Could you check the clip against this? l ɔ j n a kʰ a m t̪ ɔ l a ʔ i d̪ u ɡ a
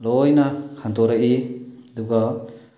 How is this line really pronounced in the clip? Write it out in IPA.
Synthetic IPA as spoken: l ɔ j n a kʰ a n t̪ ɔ ɾ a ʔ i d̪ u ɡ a

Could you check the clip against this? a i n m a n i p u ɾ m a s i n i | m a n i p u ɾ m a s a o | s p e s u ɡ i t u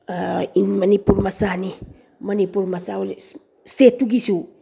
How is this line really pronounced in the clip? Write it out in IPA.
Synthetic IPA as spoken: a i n m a n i p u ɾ m a s a n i | m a n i p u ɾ m a s a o | s t e t u ɡ i s u

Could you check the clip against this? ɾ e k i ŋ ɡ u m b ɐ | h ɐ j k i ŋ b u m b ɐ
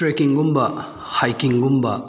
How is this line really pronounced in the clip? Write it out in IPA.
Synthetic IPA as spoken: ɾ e k i ŋ ɡ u m b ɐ | h a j k i ŋ ɡ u m b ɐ

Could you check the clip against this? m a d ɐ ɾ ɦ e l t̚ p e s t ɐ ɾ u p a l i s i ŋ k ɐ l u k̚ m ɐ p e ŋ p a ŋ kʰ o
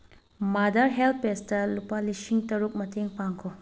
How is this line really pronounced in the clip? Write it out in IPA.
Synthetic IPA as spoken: m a d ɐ ɾ ɦ e l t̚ p e s t ɐ l u p a l i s i ŋ t ɐ ɾ u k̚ m ɐ t e ŋ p a ŋ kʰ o

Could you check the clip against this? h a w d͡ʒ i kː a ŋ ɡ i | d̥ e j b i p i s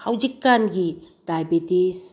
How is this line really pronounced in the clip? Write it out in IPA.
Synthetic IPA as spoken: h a w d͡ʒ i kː a n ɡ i | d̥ a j b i t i s

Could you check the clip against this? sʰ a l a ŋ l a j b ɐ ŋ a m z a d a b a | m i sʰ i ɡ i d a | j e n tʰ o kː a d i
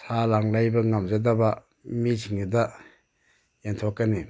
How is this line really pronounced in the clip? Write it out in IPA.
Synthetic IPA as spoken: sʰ a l a ŋ l a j b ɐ ŋ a m z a d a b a | m i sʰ i ŋ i d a | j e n tʰ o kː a n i

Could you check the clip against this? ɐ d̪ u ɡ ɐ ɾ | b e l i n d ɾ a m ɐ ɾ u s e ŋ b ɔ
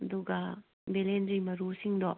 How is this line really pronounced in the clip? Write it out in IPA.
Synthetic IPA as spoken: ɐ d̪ u ɡ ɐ | b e l e n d ɾ i m ɐ ɾ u s i ŋ d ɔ

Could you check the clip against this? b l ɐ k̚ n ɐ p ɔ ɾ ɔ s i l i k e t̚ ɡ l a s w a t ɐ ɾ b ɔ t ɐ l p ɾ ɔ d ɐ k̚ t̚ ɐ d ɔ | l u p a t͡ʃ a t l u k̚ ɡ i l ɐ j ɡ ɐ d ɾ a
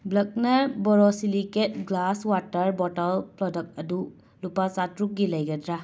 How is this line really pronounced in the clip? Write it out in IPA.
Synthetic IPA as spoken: b l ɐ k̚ n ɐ b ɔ ɾ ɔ s i l i k e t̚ ɡ l a s w a t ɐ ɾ b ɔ t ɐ l p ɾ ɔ d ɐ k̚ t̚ ɐ d u | l u p a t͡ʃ a t ɾ u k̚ ɡ i l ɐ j ɡ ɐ d ɾ a

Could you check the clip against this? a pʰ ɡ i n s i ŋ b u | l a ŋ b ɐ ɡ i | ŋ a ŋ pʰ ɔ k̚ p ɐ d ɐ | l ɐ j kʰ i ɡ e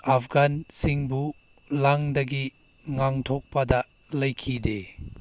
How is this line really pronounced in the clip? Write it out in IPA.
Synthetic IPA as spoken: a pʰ ɡ a n s i ŋ b u | l a ŋ d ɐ ɡ i | ŋ a ŋ tʰ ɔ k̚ p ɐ d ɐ | l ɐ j kʰ i d e

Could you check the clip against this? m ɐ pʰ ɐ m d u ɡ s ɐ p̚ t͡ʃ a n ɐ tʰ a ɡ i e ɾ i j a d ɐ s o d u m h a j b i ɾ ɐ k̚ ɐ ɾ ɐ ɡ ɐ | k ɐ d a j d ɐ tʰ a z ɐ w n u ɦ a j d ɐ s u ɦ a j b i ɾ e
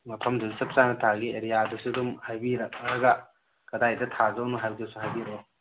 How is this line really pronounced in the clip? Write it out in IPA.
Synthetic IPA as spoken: m ɐ pʰ ɐ m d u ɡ s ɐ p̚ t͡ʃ a n ɐ tʰ a ɡ i e ɾ i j a d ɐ s u d u m h a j b i ɾ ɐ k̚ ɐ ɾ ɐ ɡ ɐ | k ɐ d a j d ɐ tʰ a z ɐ w n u ɦ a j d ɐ s u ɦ a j b i ɾ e

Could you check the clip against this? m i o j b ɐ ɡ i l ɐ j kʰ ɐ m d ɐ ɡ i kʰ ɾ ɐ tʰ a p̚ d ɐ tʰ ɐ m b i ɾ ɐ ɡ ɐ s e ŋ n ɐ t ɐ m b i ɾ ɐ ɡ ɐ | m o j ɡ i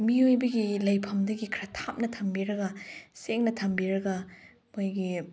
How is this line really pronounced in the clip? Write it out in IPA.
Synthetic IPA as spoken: m i o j b ɐ ɡ i l ɐ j pʰ ɐ m d ɐ ɡ i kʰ ɾ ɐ tʰ a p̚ n ɐ tʰ ɐ m b i ɾ ɐ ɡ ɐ s e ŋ n ɐ tʰ ɐ m b i ɾ ɐ ɡ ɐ | m o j ɡ i

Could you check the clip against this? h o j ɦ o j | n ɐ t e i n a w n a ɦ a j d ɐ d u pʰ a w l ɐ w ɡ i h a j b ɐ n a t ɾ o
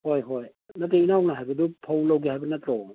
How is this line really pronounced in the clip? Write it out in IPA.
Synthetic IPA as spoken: h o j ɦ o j | n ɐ t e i n a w n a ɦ a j b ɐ d u pʰ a w l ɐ w ɡ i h a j b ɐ n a t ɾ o

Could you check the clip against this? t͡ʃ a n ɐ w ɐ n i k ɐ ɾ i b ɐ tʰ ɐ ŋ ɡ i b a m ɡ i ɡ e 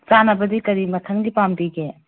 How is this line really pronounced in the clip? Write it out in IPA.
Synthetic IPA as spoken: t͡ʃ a n ɐ b ɐ d i k ɐ ɾ i m ɐ tʰ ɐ ŋ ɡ i p a m d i ɡ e

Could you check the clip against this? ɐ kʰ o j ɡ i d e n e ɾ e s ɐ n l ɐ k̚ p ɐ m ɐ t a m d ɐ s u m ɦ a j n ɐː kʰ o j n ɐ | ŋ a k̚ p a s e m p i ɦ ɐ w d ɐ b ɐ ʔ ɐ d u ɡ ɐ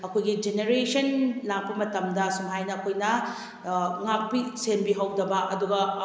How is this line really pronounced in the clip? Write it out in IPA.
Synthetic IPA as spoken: ɐ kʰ o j ɡ i d͡ʒ e n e ɾ e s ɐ n l a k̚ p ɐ m ɐ t ɐ m d ɐ s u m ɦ a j n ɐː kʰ o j n ɐ | ŋ a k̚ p i s e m b i ɦ ɐ w d ɐ b ɐ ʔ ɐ d u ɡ ɐ

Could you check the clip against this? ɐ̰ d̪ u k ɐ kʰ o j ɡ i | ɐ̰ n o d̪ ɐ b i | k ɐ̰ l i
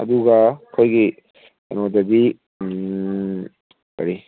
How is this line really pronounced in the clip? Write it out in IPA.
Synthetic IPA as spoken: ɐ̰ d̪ u ɡ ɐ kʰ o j ɡ i | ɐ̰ n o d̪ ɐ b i | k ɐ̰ ɾ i

